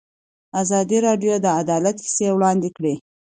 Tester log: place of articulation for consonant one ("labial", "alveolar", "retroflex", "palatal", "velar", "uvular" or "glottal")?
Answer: alveolar